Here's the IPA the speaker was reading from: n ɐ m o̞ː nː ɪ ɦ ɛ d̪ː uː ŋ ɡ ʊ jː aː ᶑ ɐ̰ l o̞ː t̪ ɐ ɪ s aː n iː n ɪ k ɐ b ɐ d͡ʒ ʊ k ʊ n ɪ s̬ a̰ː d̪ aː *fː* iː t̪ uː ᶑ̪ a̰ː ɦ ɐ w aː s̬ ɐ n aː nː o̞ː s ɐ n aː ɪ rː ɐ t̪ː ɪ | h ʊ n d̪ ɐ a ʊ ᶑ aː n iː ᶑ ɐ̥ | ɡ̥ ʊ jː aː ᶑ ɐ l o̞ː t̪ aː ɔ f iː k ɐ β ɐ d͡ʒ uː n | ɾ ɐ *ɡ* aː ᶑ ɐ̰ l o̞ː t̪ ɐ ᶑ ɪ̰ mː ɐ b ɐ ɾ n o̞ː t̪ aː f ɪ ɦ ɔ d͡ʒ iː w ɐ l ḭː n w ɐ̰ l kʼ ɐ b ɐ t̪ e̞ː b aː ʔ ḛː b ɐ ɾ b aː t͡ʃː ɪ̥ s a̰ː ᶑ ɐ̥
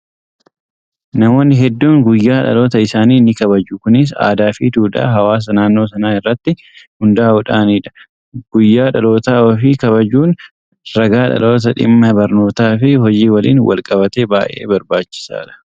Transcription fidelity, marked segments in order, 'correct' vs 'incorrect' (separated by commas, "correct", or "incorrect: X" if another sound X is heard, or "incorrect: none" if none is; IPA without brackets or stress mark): incorrect: f, correct